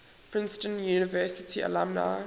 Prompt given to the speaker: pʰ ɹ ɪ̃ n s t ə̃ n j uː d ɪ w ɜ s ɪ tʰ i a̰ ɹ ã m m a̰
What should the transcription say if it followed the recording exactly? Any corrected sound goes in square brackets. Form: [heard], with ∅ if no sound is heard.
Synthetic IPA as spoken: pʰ ɹ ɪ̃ n s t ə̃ n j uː [n] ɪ [v] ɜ s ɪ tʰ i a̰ [l] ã m [n] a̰